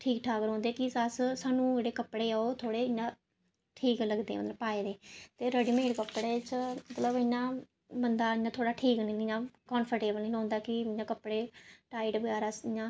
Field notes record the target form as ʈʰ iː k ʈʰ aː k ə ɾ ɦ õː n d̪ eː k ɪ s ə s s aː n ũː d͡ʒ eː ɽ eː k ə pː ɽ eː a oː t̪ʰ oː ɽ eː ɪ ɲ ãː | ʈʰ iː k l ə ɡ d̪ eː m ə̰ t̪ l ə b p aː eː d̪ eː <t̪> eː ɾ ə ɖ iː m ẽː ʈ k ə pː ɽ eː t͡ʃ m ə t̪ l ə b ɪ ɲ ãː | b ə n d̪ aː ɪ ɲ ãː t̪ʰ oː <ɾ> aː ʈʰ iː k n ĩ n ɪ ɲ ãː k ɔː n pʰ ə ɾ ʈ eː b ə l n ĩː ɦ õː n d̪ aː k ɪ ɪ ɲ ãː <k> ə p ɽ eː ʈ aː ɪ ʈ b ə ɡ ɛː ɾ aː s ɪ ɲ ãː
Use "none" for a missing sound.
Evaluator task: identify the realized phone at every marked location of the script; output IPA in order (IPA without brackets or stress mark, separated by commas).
t̪, ɽ, k